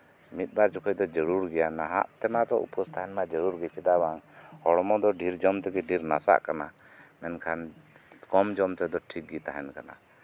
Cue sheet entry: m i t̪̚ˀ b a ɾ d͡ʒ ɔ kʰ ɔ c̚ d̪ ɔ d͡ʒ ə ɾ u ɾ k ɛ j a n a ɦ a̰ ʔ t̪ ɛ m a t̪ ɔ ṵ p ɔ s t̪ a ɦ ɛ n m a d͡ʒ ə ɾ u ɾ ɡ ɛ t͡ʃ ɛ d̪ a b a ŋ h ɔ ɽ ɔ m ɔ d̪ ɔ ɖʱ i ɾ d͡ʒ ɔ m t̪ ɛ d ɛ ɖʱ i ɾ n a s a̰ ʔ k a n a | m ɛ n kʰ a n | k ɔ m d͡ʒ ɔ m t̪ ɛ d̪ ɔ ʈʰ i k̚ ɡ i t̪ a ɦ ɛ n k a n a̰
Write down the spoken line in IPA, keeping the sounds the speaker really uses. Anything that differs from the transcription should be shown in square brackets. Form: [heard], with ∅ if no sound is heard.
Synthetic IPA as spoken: m i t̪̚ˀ b a ɾ d͡ʒ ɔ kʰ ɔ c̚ d̪ ɔ d͡ʒ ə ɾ u ɾ [ɡ] ɛ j a n a ɦ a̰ ʔ t̪ ɛ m a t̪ ɔ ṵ p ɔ s t̪ a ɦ ɛ n m a d͡ʒ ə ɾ u ɾ ɡ ɛ t͡ʃ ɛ d̪ a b a ŋ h ɔ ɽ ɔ m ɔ d̪ ɔ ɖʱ i ɾ d͡ʒ ɔ m t̪ ɛ [ɡ] ɛ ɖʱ i ɾ n a s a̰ ʔ k a n a | m ɛ n kʰ a n | k ɔ m d͡ʒ ɔ m t̪ ɛ d̪ ɔ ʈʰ i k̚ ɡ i t̪ a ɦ ɛ n k a n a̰